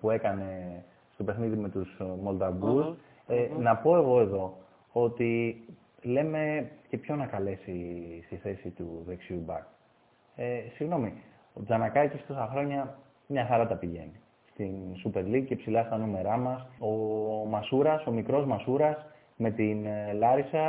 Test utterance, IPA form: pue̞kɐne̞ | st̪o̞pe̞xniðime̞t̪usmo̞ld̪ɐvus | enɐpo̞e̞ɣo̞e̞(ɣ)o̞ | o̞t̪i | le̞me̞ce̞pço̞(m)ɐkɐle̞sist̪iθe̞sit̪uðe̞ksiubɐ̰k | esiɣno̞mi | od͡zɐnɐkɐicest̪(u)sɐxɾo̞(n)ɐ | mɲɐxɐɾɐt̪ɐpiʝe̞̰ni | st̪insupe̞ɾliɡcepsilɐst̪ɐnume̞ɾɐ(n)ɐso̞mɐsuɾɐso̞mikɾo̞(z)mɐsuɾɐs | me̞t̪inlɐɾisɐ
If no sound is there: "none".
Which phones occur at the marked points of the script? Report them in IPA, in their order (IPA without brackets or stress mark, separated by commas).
ð, n, o, ɲ, m, z